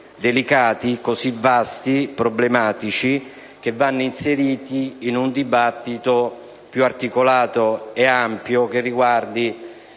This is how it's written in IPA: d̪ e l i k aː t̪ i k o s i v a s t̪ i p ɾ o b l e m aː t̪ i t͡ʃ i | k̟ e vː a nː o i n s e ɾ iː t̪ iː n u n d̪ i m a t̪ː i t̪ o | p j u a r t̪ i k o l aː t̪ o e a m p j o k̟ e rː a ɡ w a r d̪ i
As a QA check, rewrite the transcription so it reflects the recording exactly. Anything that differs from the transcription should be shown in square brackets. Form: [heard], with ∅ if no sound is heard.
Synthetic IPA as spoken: d̪ e l i k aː t̪ i k o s i v a s t̪ i p ɾ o b l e m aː t̪ i t͡ʃ i | k̟ e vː a nː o i n s e ɾ iː t̪ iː n u n d̪ i [b] a t̪ː i t̪ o | p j u a r t̪ i k o l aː t̪ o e a m p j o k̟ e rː [i] ɡ w a r d̪ i

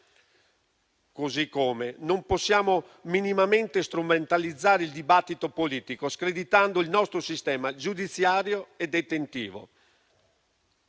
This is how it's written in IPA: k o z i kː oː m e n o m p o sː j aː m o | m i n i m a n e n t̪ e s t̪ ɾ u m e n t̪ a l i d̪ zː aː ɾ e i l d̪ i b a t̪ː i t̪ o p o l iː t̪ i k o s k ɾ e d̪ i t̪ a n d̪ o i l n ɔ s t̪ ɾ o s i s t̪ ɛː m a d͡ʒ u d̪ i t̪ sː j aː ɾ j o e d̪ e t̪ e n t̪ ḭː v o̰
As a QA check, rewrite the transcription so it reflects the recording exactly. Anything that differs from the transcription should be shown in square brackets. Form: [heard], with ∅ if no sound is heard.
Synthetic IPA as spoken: k o z i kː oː m e n o m p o sː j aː m o | m i n i m a [m] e n t̪ e s t̪ ɾ u m e n t̪ a l i d̪ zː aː ɾ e i l d̪ i b a t̪ː i t̪ o p o l iː t̪ i k o s k ɾ e d̪ i t̪ a n d̪ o i l n ɔ s t̪ ɾ o s i s t̪ ɛː m a d͡ʒ u d̪ i t̪ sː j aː ɾ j o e d̪ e t̪ e n t̪ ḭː v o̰

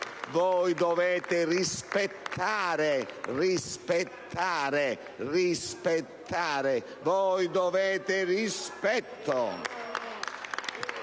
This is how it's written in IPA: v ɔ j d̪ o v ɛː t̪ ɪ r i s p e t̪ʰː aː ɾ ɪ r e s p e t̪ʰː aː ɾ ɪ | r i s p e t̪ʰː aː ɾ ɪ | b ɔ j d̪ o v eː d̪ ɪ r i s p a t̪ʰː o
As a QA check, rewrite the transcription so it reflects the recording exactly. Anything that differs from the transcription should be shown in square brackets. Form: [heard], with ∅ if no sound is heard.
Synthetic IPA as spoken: v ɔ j d̪ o v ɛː t̪ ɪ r i s p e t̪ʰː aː ɾ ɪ r [i] s p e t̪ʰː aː ɾ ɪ | r i s p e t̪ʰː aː ɾ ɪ | [v] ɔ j d̪ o v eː [t̪] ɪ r i s p [ɛ] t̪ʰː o

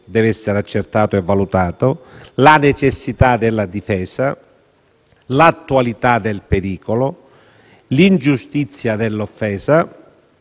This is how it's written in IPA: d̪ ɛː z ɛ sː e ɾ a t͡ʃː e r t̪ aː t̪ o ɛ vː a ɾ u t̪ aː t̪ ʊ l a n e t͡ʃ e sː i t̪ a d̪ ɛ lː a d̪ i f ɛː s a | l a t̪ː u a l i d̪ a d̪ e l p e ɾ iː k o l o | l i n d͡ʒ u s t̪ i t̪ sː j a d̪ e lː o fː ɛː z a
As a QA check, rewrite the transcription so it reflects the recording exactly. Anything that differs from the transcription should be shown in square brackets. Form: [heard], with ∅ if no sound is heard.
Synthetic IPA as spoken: d̪ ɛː [v] ɛ sː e ɾ a t͡ʃː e r t̪ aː t̪ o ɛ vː a [l] u t̪ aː t̪ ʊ l a n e t͡ʃ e sː i t̪ a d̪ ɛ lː a d̪ i f ɛː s a | l a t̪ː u a l i [t̪] a d̪ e l p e ɾ iː k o l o | l i n d͡ʒ u s t̪ i t̪ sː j a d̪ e lː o fː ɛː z a

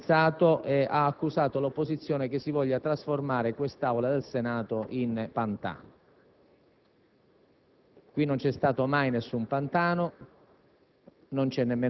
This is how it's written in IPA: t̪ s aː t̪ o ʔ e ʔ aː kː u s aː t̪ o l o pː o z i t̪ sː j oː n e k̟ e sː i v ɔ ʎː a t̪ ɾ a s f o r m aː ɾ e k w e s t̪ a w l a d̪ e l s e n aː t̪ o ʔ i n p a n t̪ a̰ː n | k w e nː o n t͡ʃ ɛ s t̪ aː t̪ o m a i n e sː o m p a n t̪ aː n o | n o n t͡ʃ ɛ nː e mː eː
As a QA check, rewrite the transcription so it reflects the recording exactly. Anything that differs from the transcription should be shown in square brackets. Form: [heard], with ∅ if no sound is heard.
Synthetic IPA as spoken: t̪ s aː t̪ o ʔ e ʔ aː kː u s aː t̪ o l o pː o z i t̪ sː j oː n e k̟ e sː i v ɔ ʎː a t̪ ɾ a s f o r m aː ɾ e k w e s t̪ a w l a d̪ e l s e n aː t̪ o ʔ i n p a n t̪ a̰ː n | k w [i] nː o n t͡ʃ ɛ s t̪ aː t̪ o m a [j] n e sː [u] m p a n t̪ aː n o | n o n t͡ʃ ɛ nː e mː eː

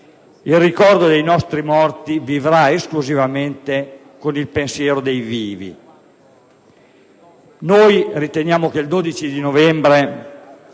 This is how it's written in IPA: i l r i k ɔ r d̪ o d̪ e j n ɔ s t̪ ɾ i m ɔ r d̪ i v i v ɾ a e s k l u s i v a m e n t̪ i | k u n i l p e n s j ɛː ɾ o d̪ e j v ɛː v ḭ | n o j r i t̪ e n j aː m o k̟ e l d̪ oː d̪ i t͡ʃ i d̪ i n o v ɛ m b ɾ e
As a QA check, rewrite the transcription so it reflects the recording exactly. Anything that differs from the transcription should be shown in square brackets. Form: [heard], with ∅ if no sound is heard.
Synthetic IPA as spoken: i l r i k ɔ r d̪ o d̪ e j n ɔ s t̪ ɾ i m ɔ r [t̪] i v i v ɾ a e s k l u [z] i v a m e n t̪ [e] | k [o] n i l p e n s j ɛː ɾ o d̪ e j v [iː] v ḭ | n o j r i t̪ e n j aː m o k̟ e l d̪ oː d̪ i t͡ʃ i d̪ i n o v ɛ m b ɾ e

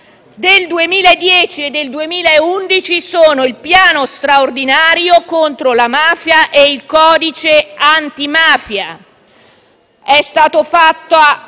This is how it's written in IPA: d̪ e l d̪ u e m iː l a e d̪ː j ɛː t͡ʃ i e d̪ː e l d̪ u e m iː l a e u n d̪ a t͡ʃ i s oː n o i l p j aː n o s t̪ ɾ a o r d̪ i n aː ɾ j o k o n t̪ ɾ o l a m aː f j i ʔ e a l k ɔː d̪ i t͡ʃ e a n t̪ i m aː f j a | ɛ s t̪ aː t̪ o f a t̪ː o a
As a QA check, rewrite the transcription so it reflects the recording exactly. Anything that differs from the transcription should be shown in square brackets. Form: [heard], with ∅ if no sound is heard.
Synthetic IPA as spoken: d̪ e l d̪ u e m iː l a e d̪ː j ɛː t͡ʃ i e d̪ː e l d̪ u e m iː l a e u n d̪ [i] t͡ʃ i s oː n o i l p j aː n o s t̪ ɾ a o r d̪ i n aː ɾ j o k o n t̪ ɾ o l a m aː f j [a] ʔ e [i] l k ɔː d̪ i t͡ʃ e a n t̪ i m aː f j a | ɛ s t̪ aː t̪ o f a t̪ː o a

